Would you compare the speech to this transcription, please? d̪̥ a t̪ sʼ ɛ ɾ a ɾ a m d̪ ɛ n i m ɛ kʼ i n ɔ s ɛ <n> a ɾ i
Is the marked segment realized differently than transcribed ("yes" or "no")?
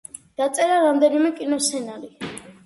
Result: no